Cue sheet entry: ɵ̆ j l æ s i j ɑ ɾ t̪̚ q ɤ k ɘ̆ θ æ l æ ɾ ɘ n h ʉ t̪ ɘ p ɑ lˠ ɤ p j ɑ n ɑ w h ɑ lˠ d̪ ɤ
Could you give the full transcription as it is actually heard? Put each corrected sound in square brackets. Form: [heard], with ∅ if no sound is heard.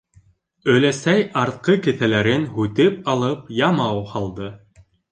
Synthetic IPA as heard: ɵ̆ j l æ s [æ] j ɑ ɾ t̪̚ q ɤ k ɘ̆ θ æ l æ ɾ ɘ n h ʉ t̪ ɘ p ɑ lˠ ɤ p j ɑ [m] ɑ w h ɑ lˠ d̪ ɤ